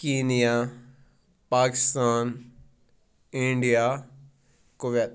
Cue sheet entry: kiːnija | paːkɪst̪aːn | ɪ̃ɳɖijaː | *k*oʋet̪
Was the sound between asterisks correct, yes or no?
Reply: yes